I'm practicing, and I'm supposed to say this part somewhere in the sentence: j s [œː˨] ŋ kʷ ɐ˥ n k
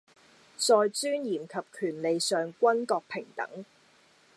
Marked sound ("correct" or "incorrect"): correct